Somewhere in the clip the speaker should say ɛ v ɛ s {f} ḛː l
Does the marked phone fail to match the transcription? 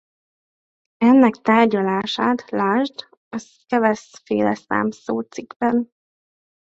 no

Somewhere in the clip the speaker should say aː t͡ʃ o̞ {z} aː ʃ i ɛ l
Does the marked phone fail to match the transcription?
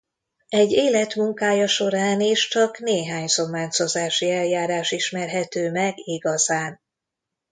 no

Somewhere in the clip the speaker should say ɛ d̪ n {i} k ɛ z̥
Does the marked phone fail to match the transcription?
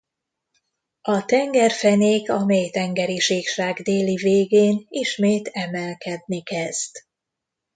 no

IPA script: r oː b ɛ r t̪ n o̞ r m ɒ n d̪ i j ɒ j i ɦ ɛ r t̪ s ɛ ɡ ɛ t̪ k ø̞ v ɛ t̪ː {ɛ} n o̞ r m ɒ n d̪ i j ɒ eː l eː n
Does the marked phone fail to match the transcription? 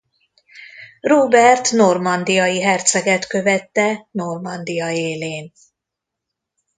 no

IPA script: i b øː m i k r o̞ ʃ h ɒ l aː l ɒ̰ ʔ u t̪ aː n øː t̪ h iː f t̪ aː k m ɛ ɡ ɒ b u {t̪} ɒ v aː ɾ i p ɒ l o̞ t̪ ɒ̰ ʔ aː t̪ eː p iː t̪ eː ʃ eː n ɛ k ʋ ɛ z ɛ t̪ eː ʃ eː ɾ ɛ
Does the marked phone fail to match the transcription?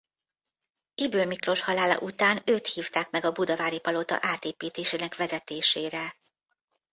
yes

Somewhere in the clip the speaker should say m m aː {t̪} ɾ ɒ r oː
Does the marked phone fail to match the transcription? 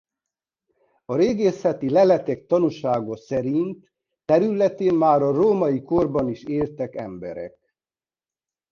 yes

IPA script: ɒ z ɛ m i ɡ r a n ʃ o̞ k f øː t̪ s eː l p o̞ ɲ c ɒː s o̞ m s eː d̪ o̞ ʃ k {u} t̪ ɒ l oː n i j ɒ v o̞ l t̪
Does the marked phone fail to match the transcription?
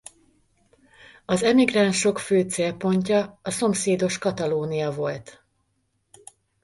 yes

